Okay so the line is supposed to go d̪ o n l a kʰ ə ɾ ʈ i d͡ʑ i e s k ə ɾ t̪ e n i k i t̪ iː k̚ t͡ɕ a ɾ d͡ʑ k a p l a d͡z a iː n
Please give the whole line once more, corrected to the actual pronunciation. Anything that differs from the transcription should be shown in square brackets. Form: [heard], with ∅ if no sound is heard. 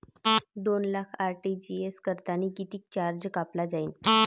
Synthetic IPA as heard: d̪ o n l a kʰ [a] ɾ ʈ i d͡ʑ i e s k ə ɾ t̪ [a] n i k i t̪ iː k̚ t͡ɕ a ɾ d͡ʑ k a p l a d͡z a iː n